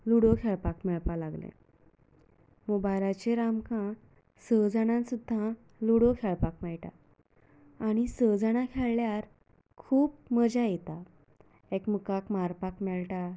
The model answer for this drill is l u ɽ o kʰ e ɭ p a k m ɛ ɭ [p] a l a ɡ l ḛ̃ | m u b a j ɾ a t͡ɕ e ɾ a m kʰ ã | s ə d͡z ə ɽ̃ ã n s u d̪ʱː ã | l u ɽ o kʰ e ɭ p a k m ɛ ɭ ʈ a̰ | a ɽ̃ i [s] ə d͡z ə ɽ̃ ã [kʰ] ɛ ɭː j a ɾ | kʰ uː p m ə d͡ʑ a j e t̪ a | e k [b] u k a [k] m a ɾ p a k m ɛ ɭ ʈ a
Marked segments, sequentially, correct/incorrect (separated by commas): correct, correct, correct, incorrect, correct